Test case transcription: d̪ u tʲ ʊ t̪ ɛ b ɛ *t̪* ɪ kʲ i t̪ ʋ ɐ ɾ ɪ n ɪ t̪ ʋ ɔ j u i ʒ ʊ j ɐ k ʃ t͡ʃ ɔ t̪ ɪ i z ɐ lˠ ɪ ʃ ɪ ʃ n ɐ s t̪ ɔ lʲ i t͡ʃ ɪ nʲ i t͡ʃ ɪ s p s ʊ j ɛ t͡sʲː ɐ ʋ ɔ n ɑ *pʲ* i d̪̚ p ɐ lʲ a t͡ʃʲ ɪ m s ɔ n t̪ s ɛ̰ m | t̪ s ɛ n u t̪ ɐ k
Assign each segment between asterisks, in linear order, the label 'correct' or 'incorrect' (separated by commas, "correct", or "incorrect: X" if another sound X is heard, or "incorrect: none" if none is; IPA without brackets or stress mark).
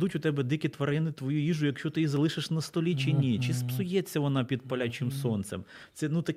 incorrect: d̪, correct